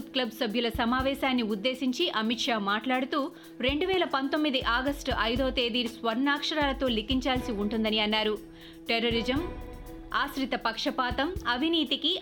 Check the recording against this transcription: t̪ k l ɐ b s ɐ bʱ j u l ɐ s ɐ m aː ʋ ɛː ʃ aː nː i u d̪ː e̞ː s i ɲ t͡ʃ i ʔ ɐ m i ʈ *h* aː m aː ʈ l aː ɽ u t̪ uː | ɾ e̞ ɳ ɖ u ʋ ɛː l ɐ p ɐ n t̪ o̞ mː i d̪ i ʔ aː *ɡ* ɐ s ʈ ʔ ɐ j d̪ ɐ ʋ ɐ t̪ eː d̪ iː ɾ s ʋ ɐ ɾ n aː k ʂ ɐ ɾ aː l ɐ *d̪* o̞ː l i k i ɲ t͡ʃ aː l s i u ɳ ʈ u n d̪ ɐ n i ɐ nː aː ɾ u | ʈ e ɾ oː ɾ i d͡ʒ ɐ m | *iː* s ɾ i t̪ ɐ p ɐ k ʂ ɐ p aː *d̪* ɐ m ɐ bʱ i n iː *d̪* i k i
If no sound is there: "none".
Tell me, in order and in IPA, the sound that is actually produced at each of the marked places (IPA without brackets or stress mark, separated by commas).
ʂ, ɡ, t̪, aː, t̪, t̪